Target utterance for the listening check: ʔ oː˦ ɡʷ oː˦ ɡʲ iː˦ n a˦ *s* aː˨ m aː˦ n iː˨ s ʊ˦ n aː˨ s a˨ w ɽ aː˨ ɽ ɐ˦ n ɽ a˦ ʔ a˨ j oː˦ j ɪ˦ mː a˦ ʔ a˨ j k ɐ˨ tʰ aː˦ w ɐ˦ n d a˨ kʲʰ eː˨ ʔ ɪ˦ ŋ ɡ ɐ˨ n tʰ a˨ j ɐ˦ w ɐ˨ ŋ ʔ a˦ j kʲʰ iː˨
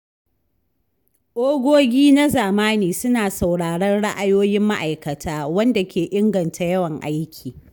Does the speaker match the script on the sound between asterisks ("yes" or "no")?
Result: no